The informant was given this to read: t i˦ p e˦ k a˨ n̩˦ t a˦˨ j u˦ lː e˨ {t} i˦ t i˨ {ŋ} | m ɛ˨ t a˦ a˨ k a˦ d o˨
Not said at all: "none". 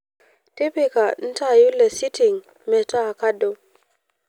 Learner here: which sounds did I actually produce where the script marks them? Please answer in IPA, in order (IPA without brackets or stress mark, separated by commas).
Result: s, ŋ